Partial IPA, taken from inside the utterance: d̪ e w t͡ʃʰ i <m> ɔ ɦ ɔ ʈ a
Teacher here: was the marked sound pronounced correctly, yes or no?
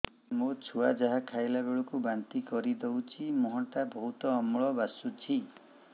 yes